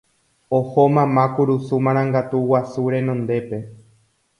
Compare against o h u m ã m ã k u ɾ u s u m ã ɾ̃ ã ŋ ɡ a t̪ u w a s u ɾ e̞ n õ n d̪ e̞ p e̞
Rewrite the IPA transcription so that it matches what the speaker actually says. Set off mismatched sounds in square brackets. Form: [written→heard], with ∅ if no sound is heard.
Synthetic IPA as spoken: o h [u→o] m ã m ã k u ɾ u s u m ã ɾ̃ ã ŋ ɡ a t̪ u w a s u ɾ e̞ n õ n d̪ e̞ p e̞